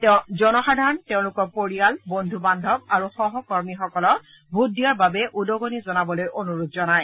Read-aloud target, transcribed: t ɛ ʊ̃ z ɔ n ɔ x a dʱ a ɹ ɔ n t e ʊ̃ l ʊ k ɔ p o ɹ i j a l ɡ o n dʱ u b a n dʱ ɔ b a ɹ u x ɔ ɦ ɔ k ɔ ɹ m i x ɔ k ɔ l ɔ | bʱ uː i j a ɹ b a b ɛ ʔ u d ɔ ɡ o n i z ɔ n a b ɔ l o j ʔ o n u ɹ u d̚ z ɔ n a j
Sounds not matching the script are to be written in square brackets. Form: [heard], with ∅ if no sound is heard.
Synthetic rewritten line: t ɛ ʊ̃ z ɔ n ɔ x a dʱ a ɹ ɔ n t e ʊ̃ l ʊ k ɔ p o ɹ i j a l [b] o n dʱ u b a n dʱ ɔ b a ɹ u x ɔ ɦ ɔ k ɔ ɹ m i x ɔ k ɔ l ɔ | bʱ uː i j a ɹ b a b ɛ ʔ u d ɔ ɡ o n i z ɔ n a b ɔ l o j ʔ o n u ɹ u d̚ z ɔ n a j

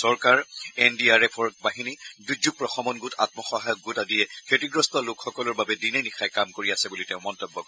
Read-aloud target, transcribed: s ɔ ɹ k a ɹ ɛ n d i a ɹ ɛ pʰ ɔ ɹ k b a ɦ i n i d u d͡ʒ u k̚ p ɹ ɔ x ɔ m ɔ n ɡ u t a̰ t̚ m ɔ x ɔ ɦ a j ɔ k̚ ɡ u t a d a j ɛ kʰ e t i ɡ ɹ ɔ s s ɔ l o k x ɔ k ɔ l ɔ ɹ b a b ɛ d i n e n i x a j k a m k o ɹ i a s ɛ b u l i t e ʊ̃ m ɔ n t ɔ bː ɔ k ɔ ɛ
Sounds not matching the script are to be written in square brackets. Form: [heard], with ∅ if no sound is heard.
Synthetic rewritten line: s ɔ ɹ k a ɹ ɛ n d i a ɹ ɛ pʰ ɔ ɹ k b a ɦ i n i d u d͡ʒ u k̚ p ɹ ɔ x ɔ m ɔ n ɡ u t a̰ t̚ m ɔ x ɔ ɦ a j ɔ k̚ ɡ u t a d [i] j ɛ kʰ e t i ɡ ɹ ɔ s [t] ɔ l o k x ɔ k ɔ l ɔ ɹ b a b ɛ d i n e n i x a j k a m k o ɹ i a s ɛ b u l i t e ʊ̃ m ɔ n t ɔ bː ɔ k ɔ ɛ

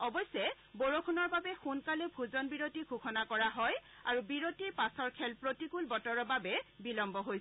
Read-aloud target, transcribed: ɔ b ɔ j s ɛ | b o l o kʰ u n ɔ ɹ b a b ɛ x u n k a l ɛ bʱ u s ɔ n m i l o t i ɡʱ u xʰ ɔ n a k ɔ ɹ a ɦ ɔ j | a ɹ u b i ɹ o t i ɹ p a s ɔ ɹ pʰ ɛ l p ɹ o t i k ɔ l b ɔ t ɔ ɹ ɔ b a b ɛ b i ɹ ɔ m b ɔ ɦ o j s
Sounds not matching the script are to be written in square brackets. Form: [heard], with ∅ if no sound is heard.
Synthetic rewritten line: ɔ b ɔ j s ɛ | b o [ɹ] o kʰ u n ɔ ɹ b a b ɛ x u n k a l ɛ bʱ u [z] ɔ n [b] i [ɹ] o t i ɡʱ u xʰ ɔ n a k ɔ ɹ a ɦ ɔ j | a ɹ u b i ɹ o t i ɹ p a s ɔ ɹ [kʰ] ɛ l p ɹ o t i k [u] l b ɔ t ɔ ɹ ɔ b a b ɛ b i [l] ɔ m b ɔ ɦ o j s

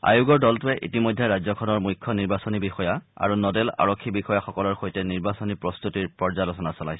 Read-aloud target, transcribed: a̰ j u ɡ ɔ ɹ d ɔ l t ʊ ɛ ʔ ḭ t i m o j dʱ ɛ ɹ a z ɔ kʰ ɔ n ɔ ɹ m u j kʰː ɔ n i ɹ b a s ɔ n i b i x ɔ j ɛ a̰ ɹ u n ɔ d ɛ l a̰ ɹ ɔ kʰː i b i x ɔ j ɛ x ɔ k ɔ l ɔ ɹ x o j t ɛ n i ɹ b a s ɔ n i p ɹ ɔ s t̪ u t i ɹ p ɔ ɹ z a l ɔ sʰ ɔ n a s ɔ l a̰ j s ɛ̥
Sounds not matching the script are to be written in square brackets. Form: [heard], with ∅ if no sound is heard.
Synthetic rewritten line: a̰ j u ɡ ɔ ɹ d ɔ l t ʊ ɛ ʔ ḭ t i m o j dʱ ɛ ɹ a z ɔ kʰ ɔ n ɔ ɹ m u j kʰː ɔ n i ɹ b a s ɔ n i b i x ɔ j [a] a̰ ɹ u n ɔ d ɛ l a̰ ɹ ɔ kʰː i b i x ɔ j [a] x ɔ k ɔ l ɔ ɹ x o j t ɛ n i ɹ b a s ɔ n i p ɹ ɔ s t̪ u t i ɹ p ɔ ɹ z a l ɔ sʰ ɔ n a s ɔ l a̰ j s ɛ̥

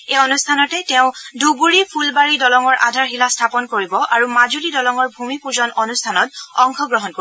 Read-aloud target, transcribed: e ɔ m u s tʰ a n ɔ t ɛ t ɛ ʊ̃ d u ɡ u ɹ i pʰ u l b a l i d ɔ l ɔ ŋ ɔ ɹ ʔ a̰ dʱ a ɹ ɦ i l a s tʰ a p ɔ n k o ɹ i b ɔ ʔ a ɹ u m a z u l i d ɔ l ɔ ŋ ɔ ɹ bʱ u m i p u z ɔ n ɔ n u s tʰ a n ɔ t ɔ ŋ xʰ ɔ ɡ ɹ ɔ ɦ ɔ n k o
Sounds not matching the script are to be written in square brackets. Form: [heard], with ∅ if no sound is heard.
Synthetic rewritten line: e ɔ [n] u s tʰ a n ɔ t ɛ t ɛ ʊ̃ d u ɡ u ɹ i pʰ u l b a [ɹ] i d ɔ l ɔ ŋ ɔ ɹ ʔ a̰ dʱ a ɹ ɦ i l a s tʰ a p ɔ n k o ɹ i b ɔ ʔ a ɹ u m a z u l i d ɔ l ɔ ŋ ɔ ɹ bʱ u m i p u z ɔ n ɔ n u s tʰ a n ɔ t ɔ ŋ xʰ ɔ ɡ ɹ ɔ ɦ ɔ n k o

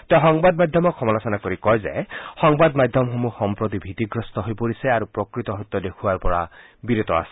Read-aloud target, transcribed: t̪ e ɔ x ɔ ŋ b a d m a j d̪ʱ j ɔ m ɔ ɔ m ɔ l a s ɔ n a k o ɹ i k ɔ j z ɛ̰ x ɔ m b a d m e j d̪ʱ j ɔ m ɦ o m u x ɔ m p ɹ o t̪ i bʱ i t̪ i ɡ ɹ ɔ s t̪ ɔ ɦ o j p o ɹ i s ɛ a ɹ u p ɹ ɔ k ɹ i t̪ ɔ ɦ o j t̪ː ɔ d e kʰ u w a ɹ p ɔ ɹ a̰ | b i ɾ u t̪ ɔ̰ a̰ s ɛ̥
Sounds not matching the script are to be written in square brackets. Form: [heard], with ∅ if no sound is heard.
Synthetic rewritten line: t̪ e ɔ x ɔ ŋ b a d m a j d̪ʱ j ɔ m ɔ ɔ m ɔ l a s ɔ n a k o ɹ i k ɔ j z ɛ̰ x ɔ [ŋ] b a d m [a] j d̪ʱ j ɔ m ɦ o m u x ɔ m p ɹ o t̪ i bʱ i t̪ i ɡ ɹ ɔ s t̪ ɔ ɦ o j p o ɹ i s ɛ a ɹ u p ɹ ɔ k ɹ i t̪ ɔ ɦ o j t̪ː ɔ d e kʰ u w a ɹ p ɔ ɹ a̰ | b i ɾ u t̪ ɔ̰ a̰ s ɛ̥

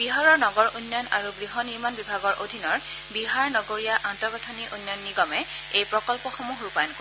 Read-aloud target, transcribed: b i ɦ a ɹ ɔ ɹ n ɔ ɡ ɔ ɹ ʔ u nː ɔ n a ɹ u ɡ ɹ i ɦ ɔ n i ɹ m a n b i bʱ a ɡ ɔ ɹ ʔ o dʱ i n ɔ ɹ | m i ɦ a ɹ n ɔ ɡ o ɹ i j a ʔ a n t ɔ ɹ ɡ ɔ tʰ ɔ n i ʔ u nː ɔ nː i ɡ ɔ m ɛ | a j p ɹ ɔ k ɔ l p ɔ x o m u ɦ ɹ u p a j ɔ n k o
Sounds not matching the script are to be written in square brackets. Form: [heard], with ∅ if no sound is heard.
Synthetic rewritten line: b i ɦ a ɹ ɔ ɹ n ɔ ɡ ɔ ɹ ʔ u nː ɔ n a ɹ u ɡ ɹ i ɦ ɔ n i ɹ m a n b i bʱ a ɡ ɔ ɹ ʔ o dʱ i n ɔ ɹ | [b] i ɦ a ɹ n ɔ ɡ o ɹ i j a ʔ a n t ɔ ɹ ɡ ɔ tʰ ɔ n i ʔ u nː ɔ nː i ɡ ɔ m ɛ | [e] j p ɹ ɔ k ɔ l p ɔ x o m u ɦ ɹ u p a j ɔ n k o

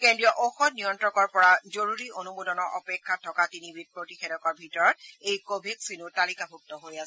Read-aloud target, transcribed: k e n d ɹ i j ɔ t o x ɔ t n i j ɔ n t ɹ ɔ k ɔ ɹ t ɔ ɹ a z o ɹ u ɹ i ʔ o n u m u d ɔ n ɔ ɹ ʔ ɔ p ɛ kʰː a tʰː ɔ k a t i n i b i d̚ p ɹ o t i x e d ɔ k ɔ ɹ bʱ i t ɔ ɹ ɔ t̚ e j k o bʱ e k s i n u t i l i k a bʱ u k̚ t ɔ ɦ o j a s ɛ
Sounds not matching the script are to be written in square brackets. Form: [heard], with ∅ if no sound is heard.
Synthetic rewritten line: k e n d ɹ i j ɔ [ʔ] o x ɔ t n i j ɔ n t ɹ ɔ k ɔ ɹ [p] ɔ ɹ a z o ɹ u ɹ i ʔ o n u m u d ɔ n ɔ ɹ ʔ ɔ p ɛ kʰː a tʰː ɔ k a t i n i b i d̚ p ɹ o t i x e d ɔ k ɔ ɹ bʱ i t ɔ ɹ ɔ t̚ e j k o bʱ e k s i n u t [a] l i k a bʱ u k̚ t ɔ ɦ o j a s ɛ

